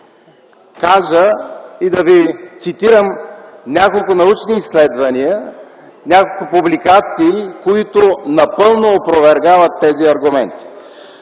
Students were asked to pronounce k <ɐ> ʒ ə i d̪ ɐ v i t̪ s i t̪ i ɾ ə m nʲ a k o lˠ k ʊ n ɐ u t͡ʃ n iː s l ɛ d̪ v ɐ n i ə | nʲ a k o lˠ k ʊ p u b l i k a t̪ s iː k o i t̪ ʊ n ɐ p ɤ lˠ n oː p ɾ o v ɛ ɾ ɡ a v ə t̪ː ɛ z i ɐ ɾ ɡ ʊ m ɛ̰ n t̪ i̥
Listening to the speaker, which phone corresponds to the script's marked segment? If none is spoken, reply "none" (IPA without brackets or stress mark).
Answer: a